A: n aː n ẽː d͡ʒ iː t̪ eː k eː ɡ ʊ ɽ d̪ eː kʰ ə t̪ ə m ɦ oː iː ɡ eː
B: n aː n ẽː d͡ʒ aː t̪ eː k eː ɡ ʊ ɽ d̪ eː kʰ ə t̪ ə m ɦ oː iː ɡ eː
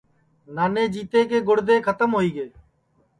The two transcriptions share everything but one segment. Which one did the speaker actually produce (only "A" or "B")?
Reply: A